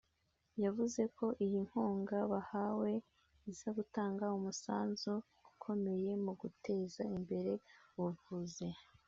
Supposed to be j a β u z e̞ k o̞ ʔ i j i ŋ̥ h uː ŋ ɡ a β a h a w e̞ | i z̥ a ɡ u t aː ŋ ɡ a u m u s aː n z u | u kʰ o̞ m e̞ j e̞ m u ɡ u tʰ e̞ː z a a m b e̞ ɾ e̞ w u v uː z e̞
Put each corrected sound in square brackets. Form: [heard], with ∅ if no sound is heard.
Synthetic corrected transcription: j a [v] u z e̞ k o̞ ʔ i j i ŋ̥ h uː ŋ ɡ a β a h a w e̞ | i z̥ a ɡ u t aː ŋ ɡ a u m u s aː n z u | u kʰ o̞ m e̞ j e̞ m u ɡ u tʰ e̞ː z a [i] m b e̞ ɾ e̞ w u v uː z e̞